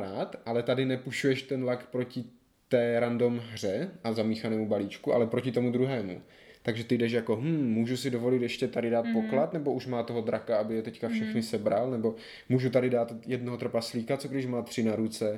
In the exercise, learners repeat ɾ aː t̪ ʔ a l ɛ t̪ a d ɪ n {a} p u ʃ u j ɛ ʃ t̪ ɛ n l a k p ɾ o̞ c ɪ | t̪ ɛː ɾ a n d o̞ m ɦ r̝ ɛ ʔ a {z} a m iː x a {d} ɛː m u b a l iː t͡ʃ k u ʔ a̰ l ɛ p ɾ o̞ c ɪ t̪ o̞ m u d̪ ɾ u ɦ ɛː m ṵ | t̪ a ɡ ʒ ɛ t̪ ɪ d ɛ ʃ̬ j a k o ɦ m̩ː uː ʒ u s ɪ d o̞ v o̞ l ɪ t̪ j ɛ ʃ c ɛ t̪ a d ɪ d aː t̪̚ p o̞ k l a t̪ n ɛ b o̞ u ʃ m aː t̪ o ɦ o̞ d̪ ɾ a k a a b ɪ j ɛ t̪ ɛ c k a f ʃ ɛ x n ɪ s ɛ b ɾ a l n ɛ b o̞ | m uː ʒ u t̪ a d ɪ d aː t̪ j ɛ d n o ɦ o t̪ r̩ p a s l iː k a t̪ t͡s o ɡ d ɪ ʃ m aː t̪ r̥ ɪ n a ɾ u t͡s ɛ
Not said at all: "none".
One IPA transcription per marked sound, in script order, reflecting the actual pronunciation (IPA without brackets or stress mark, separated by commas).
ɛ, z, n